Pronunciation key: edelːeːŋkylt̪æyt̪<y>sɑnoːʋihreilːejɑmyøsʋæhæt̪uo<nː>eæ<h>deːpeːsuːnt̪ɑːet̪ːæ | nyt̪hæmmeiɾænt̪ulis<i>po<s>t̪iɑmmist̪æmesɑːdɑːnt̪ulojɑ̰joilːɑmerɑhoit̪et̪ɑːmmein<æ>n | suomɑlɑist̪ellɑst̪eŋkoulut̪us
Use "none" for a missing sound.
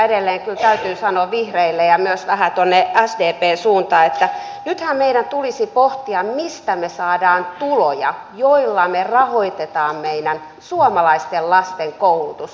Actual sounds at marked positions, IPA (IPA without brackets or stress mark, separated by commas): yː, nː, s, i, h, æ